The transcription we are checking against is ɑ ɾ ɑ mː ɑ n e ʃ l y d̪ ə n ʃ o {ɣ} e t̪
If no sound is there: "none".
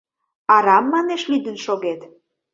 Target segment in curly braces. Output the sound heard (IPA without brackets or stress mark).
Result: ɣ